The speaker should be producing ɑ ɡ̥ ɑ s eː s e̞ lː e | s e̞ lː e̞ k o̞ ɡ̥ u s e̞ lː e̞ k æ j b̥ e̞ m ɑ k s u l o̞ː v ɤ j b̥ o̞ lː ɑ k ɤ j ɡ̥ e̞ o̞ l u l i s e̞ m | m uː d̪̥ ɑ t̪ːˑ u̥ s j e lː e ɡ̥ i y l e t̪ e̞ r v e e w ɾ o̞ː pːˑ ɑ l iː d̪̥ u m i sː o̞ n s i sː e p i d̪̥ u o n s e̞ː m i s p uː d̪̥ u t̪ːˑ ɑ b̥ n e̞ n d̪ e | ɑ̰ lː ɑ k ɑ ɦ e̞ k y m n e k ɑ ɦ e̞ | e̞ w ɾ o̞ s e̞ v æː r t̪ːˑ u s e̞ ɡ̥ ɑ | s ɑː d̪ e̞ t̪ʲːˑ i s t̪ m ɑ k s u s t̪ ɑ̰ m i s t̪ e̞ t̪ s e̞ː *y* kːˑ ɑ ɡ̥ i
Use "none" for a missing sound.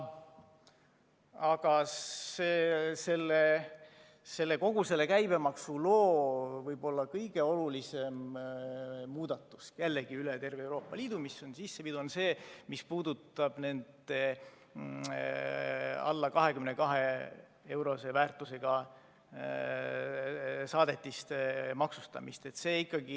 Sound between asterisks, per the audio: i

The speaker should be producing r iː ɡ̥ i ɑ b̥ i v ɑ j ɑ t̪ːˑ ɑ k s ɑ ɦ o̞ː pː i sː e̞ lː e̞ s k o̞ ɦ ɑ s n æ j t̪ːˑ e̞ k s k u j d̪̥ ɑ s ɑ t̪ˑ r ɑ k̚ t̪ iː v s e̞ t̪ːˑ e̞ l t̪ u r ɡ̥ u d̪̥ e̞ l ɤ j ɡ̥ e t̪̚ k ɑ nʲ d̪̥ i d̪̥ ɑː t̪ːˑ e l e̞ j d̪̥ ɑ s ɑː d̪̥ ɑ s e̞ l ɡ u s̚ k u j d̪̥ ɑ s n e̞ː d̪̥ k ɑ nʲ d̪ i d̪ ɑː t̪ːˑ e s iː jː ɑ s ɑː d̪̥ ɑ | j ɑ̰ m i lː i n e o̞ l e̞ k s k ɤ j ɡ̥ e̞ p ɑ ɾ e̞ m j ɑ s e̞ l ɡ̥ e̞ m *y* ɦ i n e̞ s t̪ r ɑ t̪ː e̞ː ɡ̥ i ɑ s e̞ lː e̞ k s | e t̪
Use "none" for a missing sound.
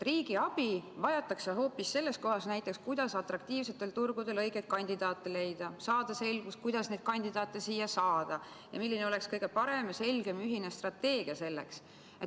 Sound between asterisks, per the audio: y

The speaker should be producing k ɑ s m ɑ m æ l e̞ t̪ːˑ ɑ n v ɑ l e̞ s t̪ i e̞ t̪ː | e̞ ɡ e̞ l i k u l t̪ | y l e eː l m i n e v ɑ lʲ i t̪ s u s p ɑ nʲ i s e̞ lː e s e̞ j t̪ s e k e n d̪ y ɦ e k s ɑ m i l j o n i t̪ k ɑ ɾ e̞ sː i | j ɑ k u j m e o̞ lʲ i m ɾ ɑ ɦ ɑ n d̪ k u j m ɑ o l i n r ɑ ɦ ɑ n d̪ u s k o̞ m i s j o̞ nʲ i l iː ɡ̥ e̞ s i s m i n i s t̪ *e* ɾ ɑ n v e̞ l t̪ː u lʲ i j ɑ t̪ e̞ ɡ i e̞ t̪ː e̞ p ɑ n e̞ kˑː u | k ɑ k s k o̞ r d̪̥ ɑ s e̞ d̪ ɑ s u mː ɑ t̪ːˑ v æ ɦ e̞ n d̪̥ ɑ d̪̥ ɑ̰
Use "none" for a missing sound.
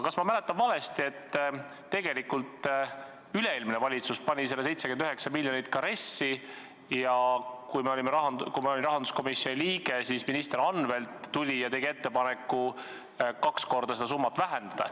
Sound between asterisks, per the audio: e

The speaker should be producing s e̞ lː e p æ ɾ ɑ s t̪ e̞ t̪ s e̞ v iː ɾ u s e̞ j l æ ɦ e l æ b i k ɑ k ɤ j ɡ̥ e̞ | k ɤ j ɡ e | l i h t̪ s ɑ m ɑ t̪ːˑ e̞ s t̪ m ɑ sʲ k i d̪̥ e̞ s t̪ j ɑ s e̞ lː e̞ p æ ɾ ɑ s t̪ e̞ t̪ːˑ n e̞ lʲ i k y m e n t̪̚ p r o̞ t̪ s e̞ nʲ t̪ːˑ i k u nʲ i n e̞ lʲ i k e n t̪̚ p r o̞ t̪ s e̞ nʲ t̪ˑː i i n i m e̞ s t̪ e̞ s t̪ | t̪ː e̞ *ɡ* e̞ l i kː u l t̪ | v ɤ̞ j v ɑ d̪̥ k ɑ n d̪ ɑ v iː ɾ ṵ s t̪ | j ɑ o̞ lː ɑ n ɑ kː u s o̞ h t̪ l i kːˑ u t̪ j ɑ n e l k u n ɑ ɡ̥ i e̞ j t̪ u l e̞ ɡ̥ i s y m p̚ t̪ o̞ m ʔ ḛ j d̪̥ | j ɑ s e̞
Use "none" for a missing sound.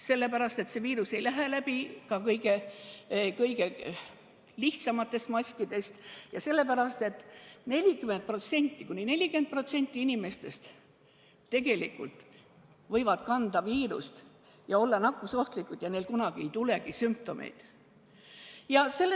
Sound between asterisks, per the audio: ɡ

